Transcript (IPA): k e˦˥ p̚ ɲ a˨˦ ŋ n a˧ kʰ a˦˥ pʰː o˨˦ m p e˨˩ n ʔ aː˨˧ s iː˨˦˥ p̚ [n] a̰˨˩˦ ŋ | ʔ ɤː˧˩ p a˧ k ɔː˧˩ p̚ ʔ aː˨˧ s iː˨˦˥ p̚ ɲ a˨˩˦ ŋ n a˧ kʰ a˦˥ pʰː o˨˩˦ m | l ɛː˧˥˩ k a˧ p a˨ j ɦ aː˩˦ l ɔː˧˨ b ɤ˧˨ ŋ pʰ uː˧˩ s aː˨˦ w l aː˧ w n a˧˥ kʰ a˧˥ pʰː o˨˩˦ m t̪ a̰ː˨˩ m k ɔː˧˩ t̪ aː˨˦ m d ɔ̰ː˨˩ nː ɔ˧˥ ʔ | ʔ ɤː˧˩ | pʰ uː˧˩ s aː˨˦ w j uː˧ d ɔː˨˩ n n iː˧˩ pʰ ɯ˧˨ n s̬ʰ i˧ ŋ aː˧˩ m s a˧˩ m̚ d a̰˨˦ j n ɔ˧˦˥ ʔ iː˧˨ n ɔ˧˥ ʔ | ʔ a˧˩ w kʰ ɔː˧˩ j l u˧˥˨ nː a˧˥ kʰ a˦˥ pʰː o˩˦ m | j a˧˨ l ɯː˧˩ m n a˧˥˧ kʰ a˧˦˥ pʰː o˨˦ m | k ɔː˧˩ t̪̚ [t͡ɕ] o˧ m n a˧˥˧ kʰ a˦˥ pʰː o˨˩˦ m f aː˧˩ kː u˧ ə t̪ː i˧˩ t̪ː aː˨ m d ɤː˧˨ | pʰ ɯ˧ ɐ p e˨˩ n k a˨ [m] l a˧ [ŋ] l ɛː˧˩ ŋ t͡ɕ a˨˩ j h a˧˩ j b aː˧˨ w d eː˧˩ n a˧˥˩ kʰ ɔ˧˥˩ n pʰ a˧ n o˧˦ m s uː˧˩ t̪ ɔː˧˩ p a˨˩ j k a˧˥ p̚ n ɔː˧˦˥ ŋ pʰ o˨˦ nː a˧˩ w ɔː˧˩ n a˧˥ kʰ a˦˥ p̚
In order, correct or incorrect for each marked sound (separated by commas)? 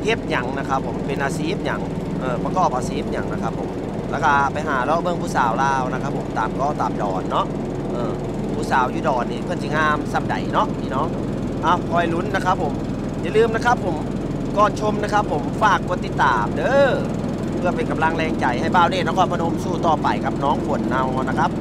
incorrect, incorrect, correct, correct